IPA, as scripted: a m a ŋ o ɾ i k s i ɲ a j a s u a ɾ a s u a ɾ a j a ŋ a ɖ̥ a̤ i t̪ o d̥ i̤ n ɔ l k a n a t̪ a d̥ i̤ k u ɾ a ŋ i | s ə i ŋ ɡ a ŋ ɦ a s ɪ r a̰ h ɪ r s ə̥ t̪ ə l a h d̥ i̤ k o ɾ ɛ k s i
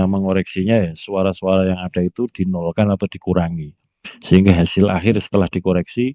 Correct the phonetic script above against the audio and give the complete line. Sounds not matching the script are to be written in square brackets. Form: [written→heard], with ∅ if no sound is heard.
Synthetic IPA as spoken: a m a ŋ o ɾ [i→ɛ] k s i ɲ a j a s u a ɾ a s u a ɾ a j a ŋ a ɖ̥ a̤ i t̪ [o→u] d̥ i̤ n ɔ l k a n a t̪ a d̥ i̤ k u ɾ a ŋ i | s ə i ŋ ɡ a [ŋ→∅] ɦ a s ɪ [r→l] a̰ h ɪ r s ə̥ t̪ ə l a h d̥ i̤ k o ɾ ɛ k s i